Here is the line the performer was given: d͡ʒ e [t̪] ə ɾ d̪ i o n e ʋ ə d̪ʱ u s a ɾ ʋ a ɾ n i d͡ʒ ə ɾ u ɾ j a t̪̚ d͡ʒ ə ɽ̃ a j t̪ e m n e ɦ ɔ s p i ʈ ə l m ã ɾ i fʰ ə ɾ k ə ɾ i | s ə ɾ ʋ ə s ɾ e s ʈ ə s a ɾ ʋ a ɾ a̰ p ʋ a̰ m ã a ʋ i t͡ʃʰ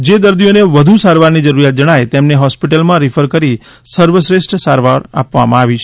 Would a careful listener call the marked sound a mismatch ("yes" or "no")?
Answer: yes